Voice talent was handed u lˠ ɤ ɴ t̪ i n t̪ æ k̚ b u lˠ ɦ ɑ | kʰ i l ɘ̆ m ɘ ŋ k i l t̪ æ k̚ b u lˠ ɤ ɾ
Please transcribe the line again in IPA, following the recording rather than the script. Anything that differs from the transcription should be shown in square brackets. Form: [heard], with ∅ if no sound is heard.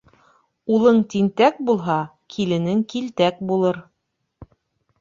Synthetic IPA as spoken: u lˠ ɤ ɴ t̪ i n t̪ æ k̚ b u lˠ ɦ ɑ | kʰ i l ɘ̆ [n] ɘ ŋ k i l t̪ æ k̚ b u lˠ ɤ ɾ